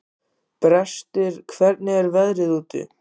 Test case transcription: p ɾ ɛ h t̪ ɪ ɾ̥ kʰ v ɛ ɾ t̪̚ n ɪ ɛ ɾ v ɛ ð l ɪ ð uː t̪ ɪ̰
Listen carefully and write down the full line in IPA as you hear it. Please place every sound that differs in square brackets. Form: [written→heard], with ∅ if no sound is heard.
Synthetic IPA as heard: p ɾ ɛ [h→s] t̪ ɪ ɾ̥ kʰ v ɛ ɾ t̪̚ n ɪ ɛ ɾ v ɛ ð [l→ɾ] ɪ ð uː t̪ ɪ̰